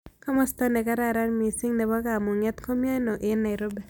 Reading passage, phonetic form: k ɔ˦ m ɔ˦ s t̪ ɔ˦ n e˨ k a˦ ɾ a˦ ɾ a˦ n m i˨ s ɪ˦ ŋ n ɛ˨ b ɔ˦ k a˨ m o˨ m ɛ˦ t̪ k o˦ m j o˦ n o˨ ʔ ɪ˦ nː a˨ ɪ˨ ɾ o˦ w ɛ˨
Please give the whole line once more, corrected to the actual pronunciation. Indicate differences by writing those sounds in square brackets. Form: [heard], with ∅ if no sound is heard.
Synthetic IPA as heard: k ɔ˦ m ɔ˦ s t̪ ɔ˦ n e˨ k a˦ ɾ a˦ ɾ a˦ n m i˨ s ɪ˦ ŋ n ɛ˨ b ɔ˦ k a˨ m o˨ [ŋ] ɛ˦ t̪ k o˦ m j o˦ n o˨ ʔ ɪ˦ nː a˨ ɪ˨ ɾ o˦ [b] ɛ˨